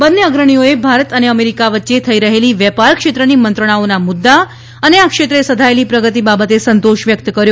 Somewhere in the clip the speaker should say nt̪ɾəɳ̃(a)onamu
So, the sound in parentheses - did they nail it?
yes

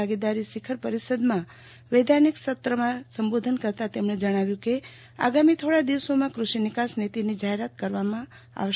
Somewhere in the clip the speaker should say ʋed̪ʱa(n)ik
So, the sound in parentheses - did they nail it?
yes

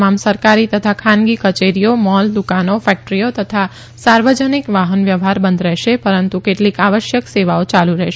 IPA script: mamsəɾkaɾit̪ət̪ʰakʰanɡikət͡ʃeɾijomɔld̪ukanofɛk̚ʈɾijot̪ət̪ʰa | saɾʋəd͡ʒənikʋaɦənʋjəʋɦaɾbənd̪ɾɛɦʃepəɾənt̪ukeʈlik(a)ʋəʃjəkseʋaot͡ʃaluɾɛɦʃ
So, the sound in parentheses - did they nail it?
yes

